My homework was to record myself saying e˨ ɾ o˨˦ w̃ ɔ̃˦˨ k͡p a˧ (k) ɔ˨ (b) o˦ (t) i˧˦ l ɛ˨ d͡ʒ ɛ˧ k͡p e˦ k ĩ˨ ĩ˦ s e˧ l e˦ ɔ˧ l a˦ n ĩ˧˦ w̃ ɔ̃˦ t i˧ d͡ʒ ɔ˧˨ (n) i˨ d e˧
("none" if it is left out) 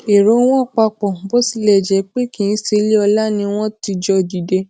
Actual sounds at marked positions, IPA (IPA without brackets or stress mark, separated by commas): k͡p, b, s, d